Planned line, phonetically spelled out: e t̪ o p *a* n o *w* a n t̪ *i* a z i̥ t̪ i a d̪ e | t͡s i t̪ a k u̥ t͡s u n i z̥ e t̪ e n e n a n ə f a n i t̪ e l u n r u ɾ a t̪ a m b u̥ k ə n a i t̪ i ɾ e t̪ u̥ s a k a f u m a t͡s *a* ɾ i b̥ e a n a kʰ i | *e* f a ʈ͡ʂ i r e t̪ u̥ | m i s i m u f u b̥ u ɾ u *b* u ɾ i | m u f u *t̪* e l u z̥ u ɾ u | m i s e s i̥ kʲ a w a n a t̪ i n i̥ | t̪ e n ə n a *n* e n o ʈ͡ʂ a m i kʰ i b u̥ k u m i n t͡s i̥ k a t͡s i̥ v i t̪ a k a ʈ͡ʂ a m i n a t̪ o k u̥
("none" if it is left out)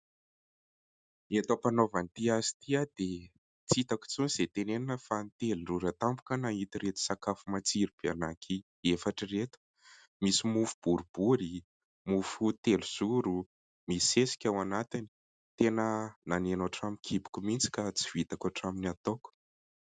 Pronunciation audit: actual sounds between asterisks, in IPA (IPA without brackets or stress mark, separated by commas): a, v, i, i, e, b, t̪, n